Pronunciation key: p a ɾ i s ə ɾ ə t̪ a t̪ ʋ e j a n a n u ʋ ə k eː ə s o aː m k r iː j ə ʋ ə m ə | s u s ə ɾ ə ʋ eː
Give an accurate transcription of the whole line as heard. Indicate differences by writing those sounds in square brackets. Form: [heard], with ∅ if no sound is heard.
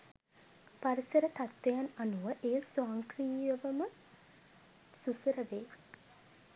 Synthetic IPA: p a ɾ i s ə ɾ ə t̪ a t̪ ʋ e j a n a n u ʋ ə [ʔ] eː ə s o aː [ŋ] k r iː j ə ʋ ə m ə | s u s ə ɾ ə ʋ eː